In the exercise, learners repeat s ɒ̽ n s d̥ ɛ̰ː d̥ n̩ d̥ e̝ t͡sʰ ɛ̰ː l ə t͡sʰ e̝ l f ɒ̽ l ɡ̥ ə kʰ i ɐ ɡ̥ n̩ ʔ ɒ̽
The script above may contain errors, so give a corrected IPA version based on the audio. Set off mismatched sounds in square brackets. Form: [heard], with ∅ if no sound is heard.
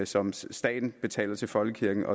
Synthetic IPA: s ɒ̽ [m] s d̥ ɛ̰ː d̥ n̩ [b̥] e̝ t͡sʰ ɛ̰ː l [ɐ] t͡sʰ e̝ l f ɒ̽ l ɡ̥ ə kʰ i ɐ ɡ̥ n̩ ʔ ɒ̽